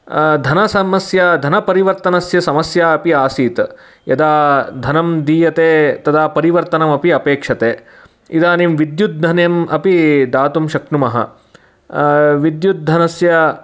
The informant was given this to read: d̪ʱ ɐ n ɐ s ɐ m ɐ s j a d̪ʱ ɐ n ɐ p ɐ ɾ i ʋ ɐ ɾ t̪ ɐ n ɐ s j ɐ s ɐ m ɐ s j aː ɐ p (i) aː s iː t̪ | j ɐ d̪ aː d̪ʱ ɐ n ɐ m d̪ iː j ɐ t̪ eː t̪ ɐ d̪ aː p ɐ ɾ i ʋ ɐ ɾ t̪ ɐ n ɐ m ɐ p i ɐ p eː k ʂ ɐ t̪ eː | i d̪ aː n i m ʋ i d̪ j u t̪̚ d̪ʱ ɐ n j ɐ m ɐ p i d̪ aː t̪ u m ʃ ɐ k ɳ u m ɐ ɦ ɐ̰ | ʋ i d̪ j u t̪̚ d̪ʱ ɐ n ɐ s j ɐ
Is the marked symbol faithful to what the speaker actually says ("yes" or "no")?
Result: yes